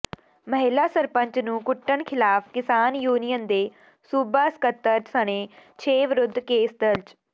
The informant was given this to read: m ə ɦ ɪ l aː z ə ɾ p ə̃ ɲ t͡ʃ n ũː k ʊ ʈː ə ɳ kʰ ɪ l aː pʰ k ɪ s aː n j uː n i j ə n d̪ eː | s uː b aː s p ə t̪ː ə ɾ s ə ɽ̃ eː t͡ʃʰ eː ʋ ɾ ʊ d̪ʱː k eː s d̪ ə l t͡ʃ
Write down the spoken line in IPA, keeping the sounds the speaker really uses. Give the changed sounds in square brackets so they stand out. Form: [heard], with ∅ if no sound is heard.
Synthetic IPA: m ə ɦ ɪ l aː [s] ə ɾ p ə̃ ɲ t͡ʃ n ũː k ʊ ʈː ə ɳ kʰ ɪ l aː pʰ k ɪ s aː n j uː n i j ə n d̪ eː | s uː b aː s [k] ə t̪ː ə ɾ s ə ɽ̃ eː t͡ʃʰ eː ʋ ɾ ʊ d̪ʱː k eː s d̪ ə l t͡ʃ